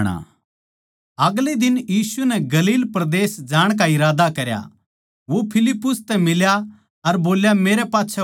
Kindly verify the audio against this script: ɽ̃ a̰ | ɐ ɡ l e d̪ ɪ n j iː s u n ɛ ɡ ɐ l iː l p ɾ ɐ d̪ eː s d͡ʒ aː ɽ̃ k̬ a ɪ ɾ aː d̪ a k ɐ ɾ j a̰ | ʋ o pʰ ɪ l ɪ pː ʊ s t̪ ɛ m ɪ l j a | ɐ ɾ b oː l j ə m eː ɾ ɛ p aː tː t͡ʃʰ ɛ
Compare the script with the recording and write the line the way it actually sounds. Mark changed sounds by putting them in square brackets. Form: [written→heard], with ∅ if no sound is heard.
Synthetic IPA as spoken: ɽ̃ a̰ | ɐ ɡ l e d̪ ɪ n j iː s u n ɛ ɡ ɐ l iː l p ɾ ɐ d̪ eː s d͡ʒ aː ɽ̃ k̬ a ɪ ɾ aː d̪ a k ɐ ɾ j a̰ | ʋ o pʰ ɪ l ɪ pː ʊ s t̪ ɛ m ɪ l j a | ɐ ɾ b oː l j [ə→a] m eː ɾ ɛ p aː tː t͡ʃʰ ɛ

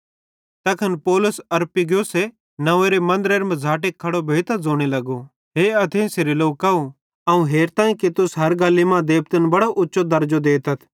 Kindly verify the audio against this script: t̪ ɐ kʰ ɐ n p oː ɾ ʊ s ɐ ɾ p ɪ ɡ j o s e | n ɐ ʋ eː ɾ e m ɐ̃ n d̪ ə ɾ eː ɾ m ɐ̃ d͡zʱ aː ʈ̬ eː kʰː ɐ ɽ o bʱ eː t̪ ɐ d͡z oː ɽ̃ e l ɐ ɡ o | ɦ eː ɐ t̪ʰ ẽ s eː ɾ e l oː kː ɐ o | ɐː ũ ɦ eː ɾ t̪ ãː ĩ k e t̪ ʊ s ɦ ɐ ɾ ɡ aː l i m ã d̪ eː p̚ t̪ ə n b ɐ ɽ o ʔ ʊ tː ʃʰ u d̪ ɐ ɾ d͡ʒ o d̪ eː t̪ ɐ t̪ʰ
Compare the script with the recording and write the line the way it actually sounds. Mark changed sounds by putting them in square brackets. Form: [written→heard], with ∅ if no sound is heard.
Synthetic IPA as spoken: t̪ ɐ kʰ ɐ n p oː [ɾ→l] ʊ s ɐ ɾ p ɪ ɡ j o s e | n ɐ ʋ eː ɾ e m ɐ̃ n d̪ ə ɾ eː ɾ m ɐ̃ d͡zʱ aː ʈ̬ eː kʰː ɐ ɽ o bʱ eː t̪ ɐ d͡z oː ɽ̃ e l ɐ ɡ o | ɦ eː ɐ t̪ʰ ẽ s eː ɾ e l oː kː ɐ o | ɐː ũ ɦ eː ɾ t̪ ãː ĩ k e t̪ ʊ s ɦ ɐ ɾ ɡ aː l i m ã d̪ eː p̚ t̪ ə n b ɐ ɽ o ʔ ʊ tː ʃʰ [u→o] d̪ ɐ ɾ d͡ʒ o d̪ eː t̪ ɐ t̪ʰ

